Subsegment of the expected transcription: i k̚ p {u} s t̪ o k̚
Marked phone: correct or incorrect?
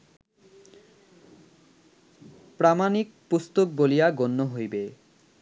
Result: correct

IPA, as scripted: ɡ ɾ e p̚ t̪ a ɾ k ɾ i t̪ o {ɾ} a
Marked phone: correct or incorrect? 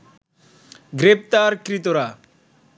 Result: correct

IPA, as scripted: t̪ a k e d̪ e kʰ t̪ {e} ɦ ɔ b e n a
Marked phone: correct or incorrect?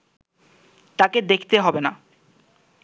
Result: correct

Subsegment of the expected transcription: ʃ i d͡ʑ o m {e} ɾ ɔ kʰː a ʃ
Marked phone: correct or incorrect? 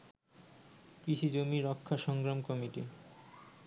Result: incorrect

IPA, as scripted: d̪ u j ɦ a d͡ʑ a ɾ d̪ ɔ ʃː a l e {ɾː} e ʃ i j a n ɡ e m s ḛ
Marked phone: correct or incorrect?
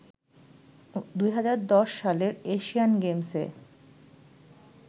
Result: incorrect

